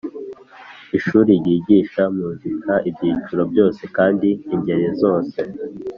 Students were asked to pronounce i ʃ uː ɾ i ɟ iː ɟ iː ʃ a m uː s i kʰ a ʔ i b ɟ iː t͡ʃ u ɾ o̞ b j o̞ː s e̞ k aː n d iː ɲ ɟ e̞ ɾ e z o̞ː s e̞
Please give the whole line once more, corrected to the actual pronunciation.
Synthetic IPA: i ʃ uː ɾ i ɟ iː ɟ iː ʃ a m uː z i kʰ a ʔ i b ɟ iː t͡ʃ u ɾ o̞ b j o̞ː s e̞ k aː n d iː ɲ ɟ e̞ ɾ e z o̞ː s e̞